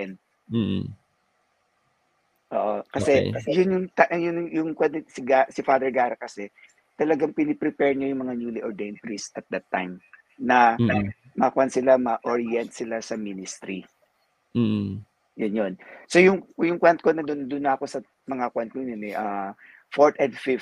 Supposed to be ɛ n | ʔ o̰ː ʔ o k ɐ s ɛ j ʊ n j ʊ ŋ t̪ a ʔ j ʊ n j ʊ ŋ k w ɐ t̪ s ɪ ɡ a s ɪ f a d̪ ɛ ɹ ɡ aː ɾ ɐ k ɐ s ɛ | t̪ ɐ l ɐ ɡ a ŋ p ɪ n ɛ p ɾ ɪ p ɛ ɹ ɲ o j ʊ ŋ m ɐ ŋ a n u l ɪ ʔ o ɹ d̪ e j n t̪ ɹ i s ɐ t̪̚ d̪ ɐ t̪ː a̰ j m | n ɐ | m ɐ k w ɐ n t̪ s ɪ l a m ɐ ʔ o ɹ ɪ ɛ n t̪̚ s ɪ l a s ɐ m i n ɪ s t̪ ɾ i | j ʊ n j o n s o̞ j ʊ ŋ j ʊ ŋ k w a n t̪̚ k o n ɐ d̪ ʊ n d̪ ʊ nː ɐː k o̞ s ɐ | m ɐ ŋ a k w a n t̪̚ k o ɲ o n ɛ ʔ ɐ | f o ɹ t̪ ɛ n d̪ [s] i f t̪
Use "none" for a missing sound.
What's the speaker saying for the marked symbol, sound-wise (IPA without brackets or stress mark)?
f